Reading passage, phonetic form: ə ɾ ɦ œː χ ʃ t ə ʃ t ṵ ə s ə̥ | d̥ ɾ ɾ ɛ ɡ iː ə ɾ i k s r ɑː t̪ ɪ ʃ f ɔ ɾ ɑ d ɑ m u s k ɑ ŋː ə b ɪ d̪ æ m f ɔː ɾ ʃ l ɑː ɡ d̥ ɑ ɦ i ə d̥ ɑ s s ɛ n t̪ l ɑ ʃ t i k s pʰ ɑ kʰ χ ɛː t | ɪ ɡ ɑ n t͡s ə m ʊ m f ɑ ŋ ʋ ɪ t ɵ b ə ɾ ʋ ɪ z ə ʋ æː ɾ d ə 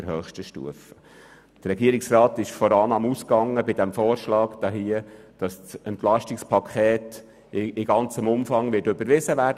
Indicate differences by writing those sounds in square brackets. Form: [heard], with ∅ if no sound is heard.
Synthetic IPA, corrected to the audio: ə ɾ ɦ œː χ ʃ t ə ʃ t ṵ ə [f] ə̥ | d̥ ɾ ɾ ɛ ɡ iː ə ɾ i k s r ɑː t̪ ɪ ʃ f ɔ ɾ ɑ [n] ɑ m u s k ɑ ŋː ə b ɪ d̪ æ m f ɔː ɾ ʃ l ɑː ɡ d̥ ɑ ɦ i ə d̥ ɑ s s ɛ n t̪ l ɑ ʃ t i k s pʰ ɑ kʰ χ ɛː t | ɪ ɡ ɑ n t͡s ə m ʊ m f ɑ ŋ ʋ ɪ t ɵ b ə ɾ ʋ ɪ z ə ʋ æː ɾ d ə